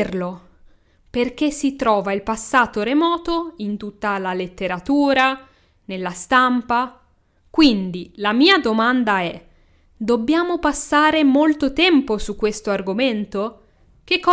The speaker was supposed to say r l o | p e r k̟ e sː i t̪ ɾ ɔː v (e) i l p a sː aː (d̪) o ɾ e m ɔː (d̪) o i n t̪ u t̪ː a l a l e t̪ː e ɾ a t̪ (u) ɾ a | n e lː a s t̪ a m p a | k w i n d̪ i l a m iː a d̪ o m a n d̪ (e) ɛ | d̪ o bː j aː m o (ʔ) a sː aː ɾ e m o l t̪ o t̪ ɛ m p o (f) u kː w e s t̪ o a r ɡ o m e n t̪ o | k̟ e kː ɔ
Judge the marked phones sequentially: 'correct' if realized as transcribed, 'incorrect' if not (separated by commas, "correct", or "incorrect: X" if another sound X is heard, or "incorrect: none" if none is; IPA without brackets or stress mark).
incorrect: a, incorrect: t̪, incorrect: t̪, incorrect: uː, incorrect: a, incorrect: p, incorrect: s